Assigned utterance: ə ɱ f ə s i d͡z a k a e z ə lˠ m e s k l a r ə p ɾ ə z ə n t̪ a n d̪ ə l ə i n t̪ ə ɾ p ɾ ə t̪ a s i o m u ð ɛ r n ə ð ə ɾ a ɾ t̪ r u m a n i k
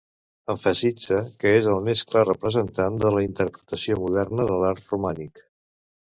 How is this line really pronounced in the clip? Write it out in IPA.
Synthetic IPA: ə ɱ f ə s i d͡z ə k ə e z ə lˠ m e s k l a r ə p ɾ ə z ə n t̪ a n d̪ ə l ə i n t̪ ə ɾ p ɾ ə t̪ ə s i o m u ð ɛ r n ə ð ə l a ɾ t̪ r u m a n i k